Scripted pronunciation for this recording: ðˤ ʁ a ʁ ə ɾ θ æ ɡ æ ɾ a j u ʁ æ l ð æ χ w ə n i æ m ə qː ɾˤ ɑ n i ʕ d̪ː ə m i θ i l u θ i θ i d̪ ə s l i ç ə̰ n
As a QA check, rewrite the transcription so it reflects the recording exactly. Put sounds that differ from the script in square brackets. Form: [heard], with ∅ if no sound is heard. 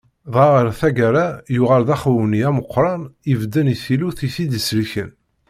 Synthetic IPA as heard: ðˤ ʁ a ʁ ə ɾ θ æ ɡ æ ɾ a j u ʁ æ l ð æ χ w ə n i æ m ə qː ɾˤ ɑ n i [v] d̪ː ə [n] i θ i l u θ i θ i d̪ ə s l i ç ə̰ n